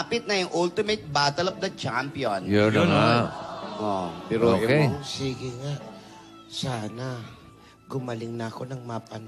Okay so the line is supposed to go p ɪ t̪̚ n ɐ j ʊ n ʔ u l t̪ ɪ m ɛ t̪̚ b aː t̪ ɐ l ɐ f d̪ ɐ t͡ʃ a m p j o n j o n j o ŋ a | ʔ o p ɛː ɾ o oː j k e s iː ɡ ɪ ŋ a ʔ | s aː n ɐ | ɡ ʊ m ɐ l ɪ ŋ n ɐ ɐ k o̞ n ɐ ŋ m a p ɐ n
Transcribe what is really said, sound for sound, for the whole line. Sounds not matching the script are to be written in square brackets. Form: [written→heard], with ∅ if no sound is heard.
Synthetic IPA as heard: p ɪ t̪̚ n ɐ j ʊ [n→ŋ] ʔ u l t̪ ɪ m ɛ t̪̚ b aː t̪ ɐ l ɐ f d̪ ɐ t͡ʃ a m p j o n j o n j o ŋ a | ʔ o p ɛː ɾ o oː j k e s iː ɡ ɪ ŋ a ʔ | s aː n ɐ | ɡ ʊ m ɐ l ɪ ŋ n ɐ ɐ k o̞ n ɐ ŋ m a p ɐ n